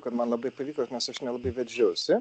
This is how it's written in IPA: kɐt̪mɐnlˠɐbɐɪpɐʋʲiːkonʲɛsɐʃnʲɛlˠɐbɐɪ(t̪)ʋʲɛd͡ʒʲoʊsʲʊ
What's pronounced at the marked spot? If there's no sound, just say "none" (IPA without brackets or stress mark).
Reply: none